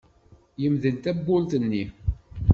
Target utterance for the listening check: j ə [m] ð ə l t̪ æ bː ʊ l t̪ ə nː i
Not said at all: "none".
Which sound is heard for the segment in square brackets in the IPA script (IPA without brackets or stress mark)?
m